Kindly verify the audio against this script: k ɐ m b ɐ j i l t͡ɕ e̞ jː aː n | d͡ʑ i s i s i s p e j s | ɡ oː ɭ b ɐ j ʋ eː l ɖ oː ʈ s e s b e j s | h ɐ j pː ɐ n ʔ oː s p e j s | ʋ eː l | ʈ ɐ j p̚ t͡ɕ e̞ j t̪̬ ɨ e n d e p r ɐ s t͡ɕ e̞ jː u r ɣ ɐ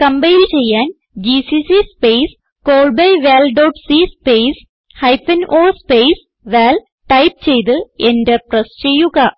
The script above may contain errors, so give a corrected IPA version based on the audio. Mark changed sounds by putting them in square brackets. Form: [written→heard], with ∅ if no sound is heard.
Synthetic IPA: k ɐ m b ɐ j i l t͡ɕ e̞ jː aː n | d͡ʑ i s i s i s p e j s | [ɡ→k] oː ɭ b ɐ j ʋ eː l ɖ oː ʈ s [e→i] s [b→p] e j s | h ɐ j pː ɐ n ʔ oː s p e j s | ʋ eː l | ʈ ɐ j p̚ t͡ɕ e̞ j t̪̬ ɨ e n d e p r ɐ s t͡ɕ e̞ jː u [r→∅] ɣ ɐ